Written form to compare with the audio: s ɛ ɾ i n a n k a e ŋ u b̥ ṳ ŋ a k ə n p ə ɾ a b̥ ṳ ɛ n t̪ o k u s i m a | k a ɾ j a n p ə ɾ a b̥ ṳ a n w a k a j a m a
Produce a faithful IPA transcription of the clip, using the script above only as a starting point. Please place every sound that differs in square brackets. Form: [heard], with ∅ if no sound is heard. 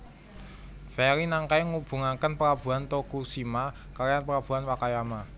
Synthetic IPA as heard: [f] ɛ ɾ i n a [ŋ] k a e ŋ u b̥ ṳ ŋ a k ə n p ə ɾ a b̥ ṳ [a] n t̪ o k u s i m a | k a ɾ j a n p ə ɾ a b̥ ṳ a n w a k a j a m a